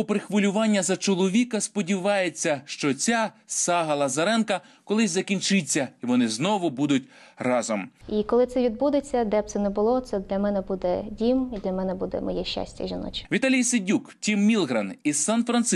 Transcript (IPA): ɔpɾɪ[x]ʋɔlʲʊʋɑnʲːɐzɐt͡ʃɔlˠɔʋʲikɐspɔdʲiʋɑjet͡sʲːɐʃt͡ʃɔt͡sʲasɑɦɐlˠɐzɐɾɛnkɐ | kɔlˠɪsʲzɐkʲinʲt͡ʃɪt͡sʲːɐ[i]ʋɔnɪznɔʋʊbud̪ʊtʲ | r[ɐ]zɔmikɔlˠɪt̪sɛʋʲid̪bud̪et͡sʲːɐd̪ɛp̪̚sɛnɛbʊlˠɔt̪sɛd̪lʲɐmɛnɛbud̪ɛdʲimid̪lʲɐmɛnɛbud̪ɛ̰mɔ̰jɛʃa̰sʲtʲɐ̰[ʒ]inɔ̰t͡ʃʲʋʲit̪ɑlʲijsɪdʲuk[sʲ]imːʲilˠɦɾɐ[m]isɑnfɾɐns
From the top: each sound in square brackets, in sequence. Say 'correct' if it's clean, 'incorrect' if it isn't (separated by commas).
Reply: correct, correct, incorrect, correct, incorrect, incorrect